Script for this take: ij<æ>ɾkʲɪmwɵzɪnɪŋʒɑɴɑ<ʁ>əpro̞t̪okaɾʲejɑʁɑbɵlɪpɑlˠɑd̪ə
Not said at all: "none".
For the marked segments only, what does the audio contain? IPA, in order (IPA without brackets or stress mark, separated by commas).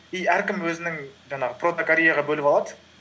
æ, ʁ